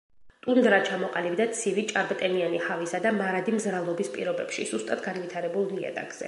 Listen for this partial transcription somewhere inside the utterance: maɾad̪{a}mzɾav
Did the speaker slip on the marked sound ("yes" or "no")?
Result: yes